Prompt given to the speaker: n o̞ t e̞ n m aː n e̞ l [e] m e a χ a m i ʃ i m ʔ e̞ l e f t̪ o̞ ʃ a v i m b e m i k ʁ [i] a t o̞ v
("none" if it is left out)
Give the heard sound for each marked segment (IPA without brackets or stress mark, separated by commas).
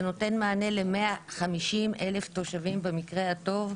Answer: e, e